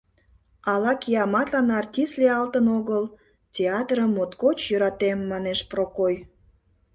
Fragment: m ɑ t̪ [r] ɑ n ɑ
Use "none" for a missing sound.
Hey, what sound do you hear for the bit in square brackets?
l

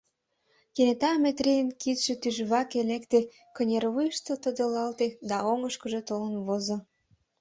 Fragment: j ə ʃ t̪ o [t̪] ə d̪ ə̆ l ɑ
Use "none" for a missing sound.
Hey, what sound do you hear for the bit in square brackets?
t̪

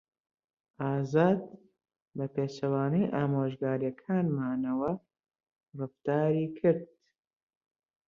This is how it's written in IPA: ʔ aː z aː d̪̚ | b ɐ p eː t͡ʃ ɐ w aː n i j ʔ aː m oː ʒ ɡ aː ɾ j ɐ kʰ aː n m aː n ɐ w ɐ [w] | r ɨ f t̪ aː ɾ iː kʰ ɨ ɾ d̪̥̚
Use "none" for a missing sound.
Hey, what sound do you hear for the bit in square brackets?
none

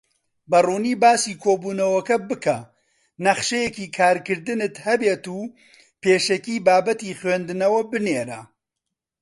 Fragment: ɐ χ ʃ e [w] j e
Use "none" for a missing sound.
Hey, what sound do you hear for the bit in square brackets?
none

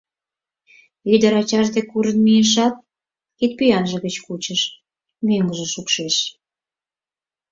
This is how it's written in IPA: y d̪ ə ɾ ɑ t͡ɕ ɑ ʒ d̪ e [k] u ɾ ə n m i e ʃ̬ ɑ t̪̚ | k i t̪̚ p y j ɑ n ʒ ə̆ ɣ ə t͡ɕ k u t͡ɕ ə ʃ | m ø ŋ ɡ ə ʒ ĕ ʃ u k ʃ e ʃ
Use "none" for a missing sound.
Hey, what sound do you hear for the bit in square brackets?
k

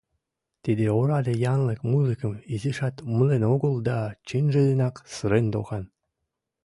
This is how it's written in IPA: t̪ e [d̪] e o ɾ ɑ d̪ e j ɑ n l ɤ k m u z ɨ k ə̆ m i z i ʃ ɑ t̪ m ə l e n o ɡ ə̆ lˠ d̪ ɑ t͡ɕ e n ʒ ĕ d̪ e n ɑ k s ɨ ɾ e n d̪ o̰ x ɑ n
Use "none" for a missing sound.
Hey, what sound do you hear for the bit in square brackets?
d̪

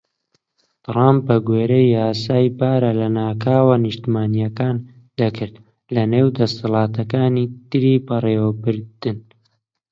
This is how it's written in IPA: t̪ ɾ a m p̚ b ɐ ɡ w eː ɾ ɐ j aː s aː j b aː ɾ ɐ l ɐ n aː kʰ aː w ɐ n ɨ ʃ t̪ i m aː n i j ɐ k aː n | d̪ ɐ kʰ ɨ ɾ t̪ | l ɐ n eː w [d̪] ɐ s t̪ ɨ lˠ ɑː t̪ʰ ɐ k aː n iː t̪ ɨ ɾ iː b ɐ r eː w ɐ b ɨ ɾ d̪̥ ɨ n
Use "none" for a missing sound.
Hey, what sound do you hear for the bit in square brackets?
d̪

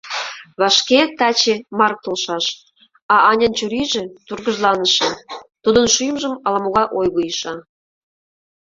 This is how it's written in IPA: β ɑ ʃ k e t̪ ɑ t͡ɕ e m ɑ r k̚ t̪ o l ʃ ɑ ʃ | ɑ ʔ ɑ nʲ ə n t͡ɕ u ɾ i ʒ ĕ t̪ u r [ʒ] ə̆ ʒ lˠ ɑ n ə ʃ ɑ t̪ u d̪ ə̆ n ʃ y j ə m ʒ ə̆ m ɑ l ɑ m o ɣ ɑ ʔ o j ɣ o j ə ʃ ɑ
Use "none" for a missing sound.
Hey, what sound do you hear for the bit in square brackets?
ɣ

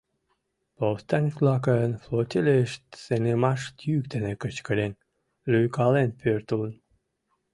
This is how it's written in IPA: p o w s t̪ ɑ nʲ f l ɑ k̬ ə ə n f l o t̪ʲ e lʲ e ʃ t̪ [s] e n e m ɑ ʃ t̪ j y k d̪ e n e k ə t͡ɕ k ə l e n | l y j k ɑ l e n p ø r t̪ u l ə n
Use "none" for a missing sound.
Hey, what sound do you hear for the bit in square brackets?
s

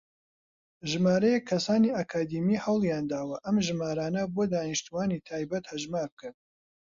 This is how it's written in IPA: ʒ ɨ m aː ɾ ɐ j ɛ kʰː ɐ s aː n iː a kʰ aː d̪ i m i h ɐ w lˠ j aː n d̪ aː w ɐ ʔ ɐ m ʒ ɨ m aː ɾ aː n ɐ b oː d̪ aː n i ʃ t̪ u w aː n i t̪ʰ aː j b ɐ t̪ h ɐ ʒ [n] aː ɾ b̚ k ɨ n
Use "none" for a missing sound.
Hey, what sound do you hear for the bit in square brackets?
m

